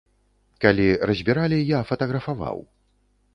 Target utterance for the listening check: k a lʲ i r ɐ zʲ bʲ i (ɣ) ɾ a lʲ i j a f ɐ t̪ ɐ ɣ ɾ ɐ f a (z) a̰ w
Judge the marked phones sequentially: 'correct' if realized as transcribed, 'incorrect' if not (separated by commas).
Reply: incorrect, incorrect